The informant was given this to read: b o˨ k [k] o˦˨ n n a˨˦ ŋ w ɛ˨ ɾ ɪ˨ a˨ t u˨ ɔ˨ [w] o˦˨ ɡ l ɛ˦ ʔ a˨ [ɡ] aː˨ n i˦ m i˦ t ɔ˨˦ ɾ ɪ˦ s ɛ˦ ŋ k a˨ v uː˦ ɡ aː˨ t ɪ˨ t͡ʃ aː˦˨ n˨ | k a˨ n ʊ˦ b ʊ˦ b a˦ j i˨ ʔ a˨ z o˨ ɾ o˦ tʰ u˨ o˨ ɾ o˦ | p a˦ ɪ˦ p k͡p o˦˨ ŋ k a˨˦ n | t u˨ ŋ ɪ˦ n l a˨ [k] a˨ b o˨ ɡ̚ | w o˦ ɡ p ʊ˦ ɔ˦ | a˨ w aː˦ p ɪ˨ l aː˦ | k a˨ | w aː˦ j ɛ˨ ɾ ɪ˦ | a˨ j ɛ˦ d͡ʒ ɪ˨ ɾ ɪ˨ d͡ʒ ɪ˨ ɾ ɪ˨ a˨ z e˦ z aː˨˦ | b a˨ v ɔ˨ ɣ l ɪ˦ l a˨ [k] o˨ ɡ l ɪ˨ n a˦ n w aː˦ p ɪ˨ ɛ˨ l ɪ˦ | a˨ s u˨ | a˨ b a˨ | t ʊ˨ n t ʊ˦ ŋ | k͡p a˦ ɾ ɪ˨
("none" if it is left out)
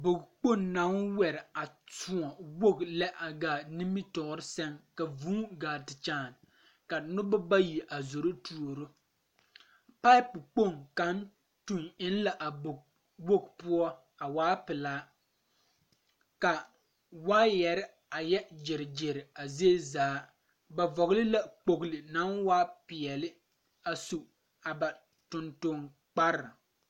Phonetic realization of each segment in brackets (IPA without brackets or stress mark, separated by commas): k͡p, w, ɡ, ʔ, k͡p